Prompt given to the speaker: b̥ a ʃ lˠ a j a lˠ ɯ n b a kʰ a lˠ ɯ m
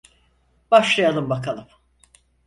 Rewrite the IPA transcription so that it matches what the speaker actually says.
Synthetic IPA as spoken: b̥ a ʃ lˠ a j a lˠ ɯ m b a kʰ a lˠ ɯ m